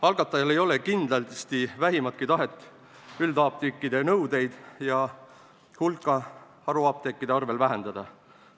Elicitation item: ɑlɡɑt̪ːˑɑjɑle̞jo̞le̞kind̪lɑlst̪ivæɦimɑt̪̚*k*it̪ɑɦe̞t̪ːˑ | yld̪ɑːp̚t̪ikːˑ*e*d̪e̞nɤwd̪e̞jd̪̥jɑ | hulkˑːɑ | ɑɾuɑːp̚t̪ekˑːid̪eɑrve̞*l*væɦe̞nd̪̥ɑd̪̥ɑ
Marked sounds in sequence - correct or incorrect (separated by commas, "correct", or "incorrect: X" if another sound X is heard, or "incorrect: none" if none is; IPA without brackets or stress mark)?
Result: correct, incorrect: i, correct